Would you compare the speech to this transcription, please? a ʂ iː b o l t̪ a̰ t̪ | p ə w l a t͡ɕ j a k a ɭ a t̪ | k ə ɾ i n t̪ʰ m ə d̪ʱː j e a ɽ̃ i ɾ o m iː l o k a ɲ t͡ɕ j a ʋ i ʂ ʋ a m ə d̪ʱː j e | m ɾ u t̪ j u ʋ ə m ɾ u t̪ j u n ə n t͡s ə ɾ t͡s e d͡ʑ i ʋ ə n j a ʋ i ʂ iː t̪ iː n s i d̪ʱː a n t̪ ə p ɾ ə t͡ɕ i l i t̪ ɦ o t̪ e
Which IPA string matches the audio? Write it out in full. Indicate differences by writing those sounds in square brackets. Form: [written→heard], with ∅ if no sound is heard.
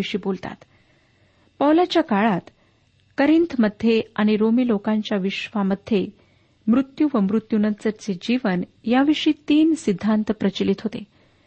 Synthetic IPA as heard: [a→i] ʂ iː b o l t̪ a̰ t̪ | p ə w l a t͡ɕ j a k a ɭ a t̪ | k ə ɾ i n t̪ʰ m ə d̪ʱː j e a ɽ̃ i ɾ o m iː l o k a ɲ t͡ɕ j a ʋ i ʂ ʋ a m ə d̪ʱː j e | m ɾ u t̪ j u ʋ ə m ɾ u t̪ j u n ə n t͡s ə ɾ t͡s e d͡ʑ i ʋ ə n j a ʋ i ʂ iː t̪ iː n s i d̪ʱː a n t̪ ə p ɾ ə t͡ɕ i l i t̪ ɦ o t̪ e